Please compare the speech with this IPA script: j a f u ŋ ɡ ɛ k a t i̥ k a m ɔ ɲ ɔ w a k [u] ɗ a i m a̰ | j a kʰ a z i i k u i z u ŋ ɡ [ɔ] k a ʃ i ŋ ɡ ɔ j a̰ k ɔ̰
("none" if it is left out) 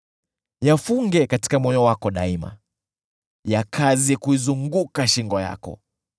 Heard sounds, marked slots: ɔ, u

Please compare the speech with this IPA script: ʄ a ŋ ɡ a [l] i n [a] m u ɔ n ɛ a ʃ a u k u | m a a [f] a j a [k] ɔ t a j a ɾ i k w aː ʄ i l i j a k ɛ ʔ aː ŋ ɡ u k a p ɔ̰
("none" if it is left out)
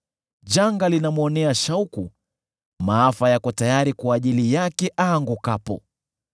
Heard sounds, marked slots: l, a, f, k

